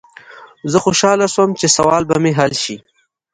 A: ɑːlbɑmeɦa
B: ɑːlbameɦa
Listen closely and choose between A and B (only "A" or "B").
B